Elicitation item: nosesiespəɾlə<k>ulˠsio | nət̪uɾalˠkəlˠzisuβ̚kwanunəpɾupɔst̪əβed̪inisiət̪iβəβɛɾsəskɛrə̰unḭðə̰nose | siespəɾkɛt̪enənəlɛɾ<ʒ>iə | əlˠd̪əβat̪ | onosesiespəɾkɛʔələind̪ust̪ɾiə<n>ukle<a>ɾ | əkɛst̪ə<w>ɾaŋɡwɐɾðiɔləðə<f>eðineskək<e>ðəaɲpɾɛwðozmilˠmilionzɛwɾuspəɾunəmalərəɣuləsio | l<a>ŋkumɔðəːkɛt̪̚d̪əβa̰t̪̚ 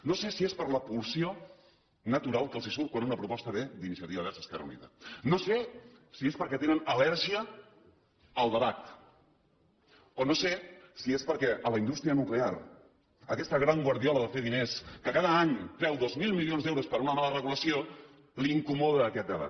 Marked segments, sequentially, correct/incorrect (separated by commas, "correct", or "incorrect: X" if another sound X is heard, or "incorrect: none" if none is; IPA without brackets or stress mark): incorrect: p, correct, correct, correct, incorrect: ɣ, correct, incorrect: a, incorrect: i